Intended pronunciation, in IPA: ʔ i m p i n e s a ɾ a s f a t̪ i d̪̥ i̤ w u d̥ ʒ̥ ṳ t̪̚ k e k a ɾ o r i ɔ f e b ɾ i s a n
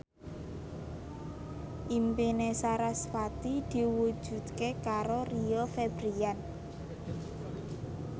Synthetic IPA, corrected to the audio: ʔ i m p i n e s a ɾ a s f a t̪ i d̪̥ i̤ w u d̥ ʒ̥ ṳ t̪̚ k e k a ɾ o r i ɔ f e b ɾ i a n